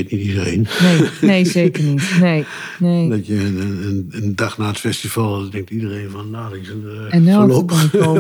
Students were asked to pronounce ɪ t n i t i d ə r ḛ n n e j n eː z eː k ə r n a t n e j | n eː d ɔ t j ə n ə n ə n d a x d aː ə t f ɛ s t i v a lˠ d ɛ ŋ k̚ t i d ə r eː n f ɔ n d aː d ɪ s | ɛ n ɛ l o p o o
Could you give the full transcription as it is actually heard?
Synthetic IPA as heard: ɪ t n i t i d ə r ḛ n n e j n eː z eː k ə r n i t n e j | n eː d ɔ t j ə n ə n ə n d a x n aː ə t f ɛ s t i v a lˠ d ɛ ŋ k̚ t i d ə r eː n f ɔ n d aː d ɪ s | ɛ n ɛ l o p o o